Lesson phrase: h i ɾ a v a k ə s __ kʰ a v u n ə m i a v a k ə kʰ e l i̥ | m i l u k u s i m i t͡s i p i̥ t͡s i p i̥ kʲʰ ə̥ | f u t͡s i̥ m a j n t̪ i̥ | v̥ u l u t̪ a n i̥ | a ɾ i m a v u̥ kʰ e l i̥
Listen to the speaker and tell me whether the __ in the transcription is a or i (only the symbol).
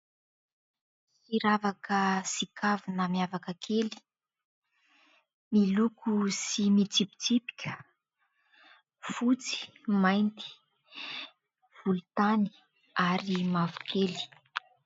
i